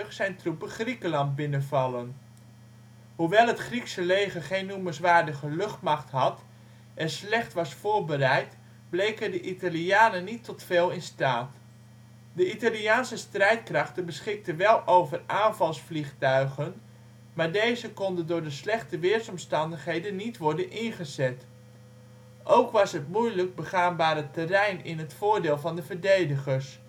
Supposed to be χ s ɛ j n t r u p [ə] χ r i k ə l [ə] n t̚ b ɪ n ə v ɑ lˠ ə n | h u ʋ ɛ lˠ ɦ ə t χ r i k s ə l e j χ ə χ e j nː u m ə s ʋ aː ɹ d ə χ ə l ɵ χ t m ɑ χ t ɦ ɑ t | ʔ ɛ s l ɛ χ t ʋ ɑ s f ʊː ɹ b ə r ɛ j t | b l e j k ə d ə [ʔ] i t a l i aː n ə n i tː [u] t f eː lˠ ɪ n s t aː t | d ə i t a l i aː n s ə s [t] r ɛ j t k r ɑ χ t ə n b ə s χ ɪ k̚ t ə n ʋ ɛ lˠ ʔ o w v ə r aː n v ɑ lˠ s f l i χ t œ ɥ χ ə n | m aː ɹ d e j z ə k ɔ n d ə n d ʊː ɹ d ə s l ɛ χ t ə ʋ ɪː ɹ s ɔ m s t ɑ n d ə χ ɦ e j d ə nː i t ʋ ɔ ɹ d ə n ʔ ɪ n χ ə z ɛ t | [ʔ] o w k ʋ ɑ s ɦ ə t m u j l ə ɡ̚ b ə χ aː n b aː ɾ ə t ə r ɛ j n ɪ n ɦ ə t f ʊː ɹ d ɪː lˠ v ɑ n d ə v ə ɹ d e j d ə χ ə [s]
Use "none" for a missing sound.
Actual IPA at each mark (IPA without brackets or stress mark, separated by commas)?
ə, ɑ, ʔ, ɔ, t, ʔ, s